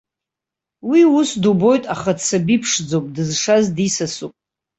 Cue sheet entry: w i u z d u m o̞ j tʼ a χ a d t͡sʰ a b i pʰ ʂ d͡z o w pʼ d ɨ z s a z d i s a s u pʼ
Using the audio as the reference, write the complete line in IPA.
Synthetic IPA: w i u s d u b o̞ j tʼ a χ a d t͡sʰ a b i pʰ ʂ d͡z o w pʼ d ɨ z ʂ a z d i s a s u pʼ